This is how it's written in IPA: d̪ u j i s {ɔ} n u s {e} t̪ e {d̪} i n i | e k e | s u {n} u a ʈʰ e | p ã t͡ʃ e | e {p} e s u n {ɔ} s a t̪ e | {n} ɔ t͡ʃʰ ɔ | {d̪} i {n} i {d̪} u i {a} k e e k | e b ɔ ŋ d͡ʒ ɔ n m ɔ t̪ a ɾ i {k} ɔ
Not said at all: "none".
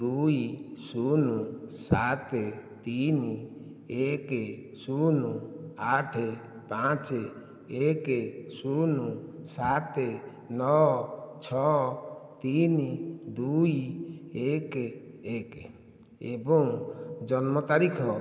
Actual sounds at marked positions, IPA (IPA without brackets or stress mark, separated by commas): u, a, t̪, n, k, u, n, t̪, n, d̪, e, kʰ